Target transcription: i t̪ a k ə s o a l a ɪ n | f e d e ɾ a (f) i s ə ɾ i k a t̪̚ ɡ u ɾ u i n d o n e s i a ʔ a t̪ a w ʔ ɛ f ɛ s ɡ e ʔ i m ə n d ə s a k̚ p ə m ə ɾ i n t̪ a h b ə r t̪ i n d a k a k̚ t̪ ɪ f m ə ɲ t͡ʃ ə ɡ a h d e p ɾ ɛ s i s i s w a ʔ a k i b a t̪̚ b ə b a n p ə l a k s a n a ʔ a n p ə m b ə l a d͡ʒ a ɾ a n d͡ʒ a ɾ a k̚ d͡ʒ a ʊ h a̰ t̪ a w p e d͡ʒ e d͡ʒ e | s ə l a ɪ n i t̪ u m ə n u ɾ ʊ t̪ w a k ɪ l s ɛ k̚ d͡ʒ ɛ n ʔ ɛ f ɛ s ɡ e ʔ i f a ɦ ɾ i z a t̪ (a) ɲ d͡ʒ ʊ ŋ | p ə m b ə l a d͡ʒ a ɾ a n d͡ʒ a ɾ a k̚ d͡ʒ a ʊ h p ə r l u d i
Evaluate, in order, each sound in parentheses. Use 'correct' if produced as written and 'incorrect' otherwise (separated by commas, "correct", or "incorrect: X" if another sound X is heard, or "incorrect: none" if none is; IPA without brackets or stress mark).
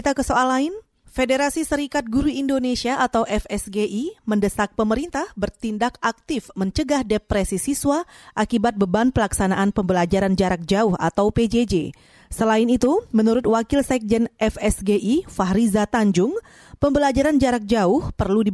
incorrect: s, correct